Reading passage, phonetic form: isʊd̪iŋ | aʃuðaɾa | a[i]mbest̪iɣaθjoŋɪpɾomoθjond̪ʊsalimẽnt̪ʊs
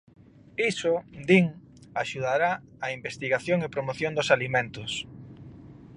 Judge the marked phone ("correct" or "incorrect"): correct